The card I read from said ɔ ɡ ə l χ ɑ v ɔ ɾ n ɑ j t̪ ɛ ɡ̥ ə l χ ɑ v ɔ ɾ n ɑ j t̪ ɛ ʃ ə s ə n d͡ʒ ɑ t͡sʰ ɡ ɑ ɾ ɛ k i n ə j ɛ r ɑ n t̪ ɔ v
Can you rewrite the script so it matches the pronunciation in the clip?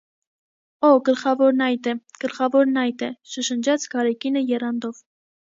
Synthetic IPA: ɔ ɡ ə l χ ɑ v ɔ ɾ n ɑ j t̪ ɛ ɡ̥ ə l χ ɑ v ɔ ɾ n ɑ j t̪ ɛ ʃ ə ʃ ə n d͡ʒ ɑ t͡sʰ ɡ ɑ ɾ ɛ k i n ə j ɛ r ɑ n d̪ ɔ v

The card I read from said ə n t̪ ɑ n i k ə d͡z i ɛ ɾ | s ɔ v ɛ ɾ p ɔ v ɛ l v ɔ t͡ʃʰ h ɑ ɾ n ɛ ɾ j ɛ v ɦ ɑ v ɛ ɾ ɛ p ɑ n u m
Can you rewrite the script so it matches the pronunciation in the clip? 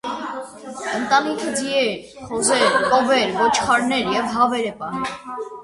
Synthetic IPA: ə n t̪ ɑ n i kʰ ə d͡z i ɛ ɾ | χ ɔ z ɛ ɾ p ɔ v ɛ ɾ v ɔ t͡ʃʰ χ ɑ ɾ n ɛ ɾ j ɛ v ɦ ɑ v ɛ ɾ ɛ p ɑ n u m

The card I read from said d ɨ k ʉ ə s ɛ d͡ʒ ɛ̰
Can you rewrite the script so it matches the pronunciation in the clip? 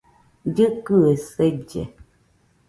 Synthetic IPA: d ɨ k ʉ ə s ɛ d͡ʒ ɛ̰

